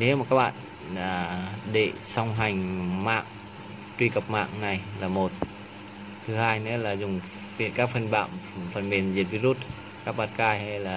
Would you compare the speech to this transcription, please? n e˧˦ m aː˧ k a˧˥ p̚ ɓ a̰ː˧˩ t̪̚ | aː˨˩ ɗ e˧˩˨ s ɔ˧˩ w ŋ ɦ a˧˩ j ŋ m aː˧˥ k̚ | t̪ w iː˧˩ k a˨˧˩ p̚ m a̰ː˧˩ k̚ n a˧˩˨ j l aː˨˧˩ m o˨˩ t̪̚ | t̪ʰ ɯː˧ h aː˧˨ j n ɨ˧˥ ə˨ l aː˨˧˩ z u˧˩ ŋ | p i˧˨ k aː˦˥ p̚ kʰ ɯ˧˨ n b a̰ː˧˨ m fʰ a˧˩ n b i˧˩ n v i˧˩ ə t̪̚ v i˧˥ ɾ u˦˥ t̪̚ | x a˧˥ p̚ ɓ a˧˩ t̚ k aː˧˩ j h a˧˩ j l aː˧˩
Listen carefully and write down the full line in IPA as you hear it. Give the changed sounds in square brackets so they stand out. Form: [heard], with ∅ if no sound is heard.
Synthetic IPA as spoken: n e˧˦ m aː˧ k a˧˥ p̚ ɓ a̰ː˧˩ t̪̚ | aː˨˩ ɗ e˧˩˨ s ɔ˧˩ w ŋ ɦ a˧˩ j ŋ m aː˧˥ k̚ | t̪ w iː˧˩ k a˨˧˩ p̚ m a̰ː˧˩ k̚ n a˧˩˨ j l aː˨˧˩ m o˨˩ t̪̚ | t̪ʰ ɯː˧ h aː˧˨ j n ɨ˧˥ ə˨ l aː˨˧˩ z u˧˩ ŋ | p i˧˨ k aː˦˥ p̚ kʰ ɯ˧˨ n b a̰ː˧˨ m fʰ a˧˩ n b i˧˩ n [z] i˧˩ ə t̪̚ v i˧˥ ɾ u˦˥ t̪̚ | [k] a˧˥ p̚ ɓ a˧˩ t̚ k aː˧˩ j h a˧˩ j l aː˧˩